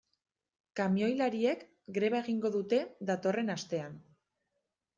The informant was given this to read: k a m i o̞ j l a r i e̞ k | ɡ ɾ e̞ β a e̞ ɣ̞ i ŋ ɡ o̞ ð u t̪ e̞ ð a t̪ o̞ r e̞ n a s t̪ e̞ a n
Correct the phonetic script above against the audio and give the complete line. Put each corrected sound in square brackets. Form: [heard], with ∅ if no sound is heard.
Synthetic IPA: k a m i o̞ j l a [ɾ] i e̞ k | ɡ ɾ e̞ β a e̞ ɣ̞ i ŋ ɡ o̞ ð u t̪ e̞ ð a t̪ o̞ r e̞ n a s t̪ e̞ a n